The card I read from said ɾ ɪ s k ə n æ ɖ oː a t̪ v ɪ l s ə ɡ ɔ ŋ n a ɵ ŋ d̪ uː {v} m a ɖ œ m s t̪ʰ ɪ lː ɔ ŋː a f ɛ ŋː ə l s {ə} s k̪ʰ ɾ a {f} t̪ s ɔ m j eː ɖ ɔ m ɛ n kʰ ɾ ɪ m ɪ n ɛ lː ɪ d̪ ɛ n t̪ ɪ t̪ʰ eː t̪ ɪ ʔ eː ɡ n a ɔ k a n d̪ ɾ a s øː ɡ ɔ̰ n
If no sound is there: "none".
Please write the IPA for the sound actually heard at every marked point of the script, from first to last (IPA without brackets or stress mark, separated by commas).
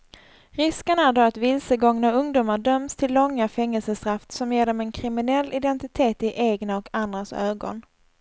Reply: none, ə, f